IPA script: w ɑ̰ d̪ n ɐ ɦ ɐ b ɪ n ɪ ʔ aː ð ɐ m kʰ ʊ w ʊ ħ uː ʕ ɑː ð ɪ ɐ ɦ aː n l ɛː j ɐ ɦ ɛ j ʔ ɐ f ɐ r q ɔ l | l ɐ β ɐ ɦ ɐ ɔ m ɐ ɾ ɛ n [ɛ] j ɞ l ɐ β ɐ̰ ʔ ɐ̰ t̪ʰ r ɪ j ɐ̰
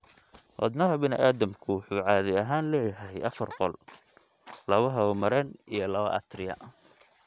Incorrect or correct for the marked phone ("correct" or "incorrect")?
incorrect